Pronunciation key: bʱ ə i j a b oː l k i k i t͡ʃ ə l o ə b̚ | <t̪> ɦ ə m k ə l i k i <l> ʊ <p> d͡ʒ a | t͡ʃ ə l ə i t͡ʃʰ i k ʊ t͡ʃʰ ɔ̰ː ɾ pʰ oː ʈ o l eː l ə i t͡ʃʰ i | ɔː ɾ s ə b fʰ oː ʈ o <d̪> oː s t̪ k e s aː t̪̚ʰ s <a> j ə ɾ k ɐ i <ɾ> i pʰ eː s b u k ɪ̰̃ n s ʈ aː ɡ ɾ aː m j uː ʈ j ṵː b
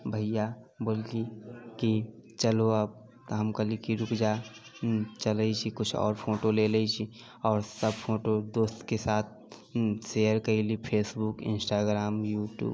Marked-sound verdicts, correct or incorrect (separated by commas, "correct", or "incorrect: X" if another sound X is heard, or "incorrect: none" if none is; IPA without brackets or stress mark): correct, incorrect: ɾ, incorrect: k, correct, incorrect: e, incorrect: l